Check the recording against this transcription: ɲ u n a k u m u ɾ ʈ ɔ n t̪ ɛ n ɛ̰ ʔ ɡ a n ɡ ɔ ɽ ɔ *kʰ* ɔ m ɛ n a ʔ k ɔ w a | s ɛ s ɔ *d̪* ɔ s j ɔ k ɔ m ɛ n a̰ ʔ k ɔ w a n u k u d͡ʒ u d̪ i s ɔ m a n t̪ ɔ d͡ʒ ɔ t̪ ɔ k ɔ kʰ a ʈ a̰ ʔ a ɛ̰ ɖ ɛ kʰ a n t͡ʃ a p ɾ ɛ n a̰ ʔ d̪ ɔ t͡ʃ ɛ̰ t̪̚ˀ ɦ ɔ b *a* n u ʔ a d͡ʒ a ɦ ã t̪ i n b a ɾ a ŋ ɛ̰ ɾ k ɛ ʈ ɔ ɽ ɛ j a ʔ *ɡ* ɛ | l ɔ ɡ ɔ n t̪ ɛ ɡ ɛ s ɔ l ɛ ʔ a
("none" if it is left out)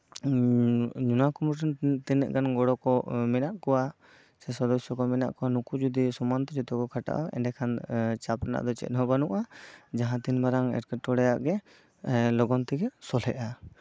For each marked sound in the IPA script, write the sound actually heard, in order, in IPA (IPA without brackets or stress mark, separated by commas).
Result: k, d̪, a, ɡ